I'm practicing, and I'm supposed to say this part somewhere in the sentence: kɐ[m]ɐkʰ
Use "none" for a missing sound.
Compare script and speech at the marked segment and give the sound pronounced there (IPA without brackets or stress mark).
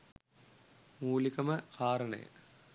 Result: m